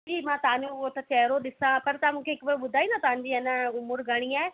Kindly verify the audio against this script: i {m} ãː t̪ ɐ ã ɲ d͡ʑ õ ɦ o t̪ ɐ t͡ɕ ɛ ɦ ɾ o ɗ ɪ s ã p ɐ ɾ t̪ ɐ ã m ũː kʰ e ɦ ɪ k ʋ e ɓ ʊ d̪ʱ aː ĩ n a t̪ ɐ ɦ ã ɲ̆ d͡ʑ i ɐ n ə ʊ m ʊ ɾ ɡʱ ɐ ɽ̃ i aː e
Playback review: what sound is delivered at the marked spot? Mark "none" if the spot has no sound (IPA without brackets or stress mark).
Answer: m